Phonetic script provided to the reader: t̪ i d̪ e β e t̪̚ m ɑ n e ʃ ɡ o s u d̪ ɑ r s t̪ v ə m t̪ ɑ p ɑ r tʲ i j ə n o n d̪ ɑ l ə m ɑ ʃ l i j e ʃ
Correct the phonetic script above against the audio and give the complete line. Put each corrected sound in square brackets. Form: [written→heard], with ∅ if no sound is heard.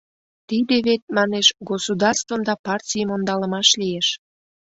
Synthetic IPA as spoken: t̪ i d̪ e β e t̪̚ m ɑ n e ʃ ɡ o s u d̪ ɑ r s t̪ v ə m [t̪→d̪] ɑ p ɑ r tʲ i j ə [n→m] o n d̪ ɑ l ə m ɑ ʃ l i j e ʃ